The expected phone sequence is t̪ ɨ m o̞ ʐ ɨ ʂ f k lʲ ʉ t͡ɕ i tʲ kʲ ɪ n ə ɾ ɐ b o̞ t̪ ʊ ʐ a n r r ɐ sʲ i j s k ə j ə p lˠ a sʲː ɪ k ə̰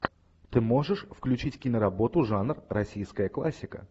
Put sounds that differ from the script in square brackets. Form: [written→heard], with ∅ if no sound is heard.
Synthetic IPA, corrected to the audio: t̪ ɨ m o̞ ʐ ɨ ʂ f k lʲ ʉ t͡ɕ i tʲ kʲ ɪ n ə ɾ ɐ b o̞ t̪ ʊ ʐ a n r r ɐ sʲ i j s k ə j ə [p→k] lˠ a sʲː ɪ k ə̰

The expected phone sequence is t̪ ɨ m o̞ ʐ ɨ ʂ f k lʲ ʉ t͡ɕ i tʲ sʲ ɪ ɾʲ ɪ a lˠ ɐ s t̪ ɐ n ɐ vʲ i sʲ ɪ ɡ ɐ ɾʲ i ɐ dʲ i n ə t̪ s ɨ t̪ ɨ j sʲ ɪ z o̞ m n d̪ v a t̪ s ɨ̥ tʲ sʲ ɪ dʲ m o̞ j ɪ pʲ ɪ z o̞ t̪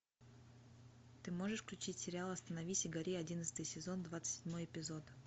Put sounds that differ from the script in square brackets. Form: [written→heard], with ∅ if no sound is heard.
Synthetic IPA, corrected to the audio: t̪ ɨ m o̞ ʐ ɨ ʂ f k lʲ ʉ t͡ɕ i tʲ sʲ ɪ ɾʲ ɪ a lˠ ɐ s t̪ [ɐ→ə] n ɐ vʲ i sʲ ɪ ɡ ɐ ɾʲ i ɐ dʲ i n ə t̪ s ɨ t̪ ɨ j sʲ ɪ z o̞ [m→∅] n d̪ v a t̪ s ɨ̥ tʲ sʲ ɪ dʲ m o̞ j ɪ pʲ ɪ z o̞ t̪

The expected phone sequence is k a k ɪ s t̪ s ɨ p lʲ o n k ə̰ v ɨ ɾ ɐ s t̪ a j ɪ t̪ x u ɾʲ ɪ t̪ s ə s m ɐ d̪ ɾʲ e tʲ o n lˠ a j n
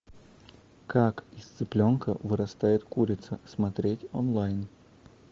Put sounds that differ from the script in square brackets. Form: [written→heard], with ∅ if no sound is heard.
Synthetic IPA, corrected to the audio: k a k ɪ s t̪ s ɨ p lʲ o n k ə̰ v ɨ ɾ ɐ s t̪ a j ɪ t̪ [x→k] u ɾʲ ɪ t̪ s ə s m ɐ [d̪→t̪] ɾʲ e tʲ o n lˠ a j n

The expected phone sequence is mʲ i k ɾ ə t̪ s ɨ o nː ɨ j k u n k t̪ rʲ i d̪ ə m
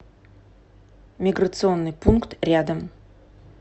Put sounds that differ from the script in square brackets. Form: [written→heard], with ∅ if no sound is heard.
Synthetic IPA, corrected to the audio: mʲ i [k→ɡ] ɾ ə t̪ s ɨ o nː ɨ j [k→p] u n k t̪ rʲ [i→a] d̪ ə m

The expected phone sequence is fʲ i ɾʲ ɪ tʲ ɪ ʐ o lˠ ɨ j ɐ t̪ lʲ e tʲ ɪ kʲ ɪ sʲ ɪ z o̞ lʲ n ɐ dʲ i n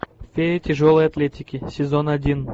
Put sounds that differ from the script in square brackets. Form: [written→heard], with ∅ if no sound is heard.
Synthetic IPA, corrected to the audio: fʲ [i→e] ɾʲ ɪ tʲ ɪ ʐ o lˠ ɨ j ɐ t̪ lʲ e tʲ ɪ kʲ ɪ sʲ ɪ z o̞ [lʲ→∅] n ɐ dʲ i n

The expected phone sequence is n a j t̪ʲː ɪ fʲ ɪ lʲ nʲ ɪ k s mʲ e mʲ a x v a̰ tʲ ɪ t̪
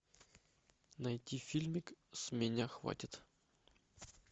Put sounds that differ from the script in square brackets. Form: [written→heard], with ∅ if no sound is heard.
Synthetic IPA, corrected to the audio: n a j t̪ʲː [ɪ→i] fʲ [ɪ→i] lʲ [nʲ→mʲ] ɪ k s mʲ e [mʲ→nʲ] a x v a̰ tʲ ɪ t̪

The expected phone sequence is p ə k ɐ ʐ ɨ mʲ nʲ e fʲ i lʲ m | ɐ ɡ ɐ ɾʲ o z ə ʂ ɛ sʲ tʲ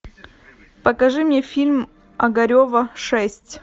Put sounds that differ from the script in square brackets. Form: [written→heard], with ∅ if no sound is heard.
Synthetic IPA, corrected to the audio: p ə k ɐ ʐ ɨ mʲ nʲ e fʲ i lʲ m | ɐ ɡ ɐ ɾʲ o [z→v] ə ʂ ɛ sʲ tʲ

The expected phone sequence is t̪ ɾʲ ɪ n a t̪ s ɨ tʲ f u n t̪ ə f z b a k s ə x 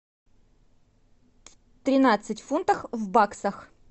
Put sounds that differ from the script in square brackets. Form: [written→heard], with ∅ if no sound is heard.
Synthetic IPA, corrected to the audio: t̪ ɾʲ ɪ n a t̪ s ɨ tʲ f u n t̪ ə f [z→v] b a k s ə x

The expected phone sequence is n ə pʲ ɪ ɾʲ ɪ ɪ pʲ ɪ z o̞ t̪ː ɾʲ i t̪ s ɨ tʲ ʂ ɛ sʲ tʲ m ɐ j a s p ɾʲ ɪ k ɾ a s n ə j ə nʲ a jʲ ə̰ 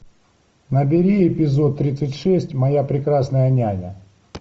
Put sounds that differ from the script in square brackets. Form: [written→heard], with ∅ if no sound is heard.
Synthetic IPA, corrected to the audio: n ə [pʲ→bʲ] ɪ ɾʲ [ɪ→i] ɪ pʲ ɪ z o̞ t̪ː ɾʲ i t̪ s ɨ tʲ ʂ ɛ sʲ tʲ m ɐ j a [s→∅] p ɾʲ ɪ k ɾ a s n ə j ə nʲ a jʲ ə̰

